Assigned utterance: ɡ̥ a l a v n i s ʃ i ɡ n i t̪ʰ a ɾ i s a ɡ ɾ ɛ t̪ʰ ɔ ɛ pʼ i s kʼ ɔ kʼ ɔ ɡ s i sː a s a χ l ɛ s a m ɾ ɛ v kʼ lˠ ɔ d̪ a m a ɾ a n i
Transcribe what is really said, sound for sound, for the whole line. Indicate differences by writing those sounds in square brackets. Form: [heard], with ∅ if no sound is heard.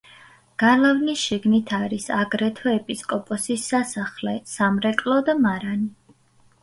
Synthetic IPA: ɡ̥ a l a v n i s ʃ i ɡ n i t̪ʰ a ɾ i s a ɡ ɾ ɛ t̪ʰ ɔ ɛ pʼ i s kʼ ɔ [pʼ] ɔ [∅] s i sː a s a χ l ɛ s a m ɾ ɛ [∅] kʼ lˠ ɔ d̪ a m a ɾ a n i